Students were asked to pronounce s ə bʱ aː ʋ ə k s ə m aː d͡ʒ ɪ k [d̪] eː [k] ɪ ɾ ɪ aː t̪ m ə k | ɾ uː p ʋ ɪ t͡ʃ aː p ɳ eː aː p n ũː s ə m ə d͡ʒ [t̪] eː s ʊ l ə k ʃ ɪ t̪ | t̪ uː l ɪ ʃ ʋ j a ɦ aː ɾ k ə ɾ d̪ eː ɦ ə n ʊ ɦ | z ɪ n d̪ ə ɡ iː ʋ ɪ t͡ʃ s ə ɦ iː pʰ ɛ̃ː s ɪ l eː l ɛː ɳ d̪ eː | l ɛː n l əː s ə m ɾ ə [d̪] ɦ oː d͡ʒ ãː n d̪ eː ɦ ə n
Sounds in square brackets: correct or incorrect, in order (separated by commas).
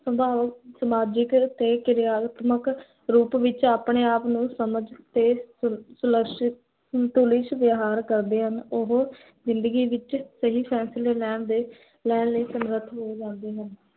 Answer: incorrect, correct, correct, incorrect